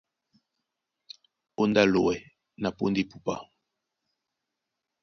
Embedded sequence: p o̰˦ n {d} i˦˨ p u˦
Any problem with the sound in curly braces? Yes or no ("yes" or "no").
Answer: no